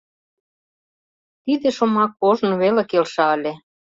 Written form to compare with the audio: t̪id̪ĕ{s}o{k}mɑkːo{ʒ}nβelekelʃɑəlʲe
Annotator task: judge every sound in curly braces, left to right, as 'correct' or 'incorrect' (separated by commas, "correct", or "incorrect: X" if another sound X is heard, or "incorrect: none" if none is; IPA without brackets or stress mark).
incorrect: ʃ, incorrect: none, correct